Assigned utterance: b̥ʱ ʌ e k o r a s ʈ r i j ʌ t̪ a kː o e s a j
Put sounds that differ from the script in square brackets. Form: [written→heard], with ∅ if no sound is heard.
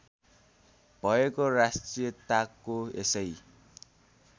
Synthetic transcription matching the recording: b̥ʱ ʌ e k o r a s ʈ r i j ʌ t̪ a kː o e s [a→ʌ] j